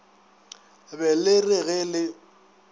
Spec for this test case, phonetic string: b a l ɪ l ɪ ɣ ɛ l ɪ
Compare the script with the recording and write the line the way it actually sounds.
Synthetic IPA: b ɛ l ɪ r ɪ ɣ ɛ l ɪ